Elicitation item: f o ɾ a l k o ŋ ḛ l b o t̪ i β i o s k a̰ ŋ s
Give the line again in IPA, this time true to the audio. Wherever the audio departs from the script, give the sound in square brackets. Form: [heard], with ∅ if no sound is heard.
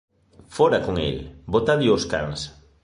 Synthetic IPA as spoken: f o ɾ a [∅] k o ŋ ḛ l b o t̪ [a] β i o s k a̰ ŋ s